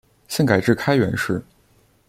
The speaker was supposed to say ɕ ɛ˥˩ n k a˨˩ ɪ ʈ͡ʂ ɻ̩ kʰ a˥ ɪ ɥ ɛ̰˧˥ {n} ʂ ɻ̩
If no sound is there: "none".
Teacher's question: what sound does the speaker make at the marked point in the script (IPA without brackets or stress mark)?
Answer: n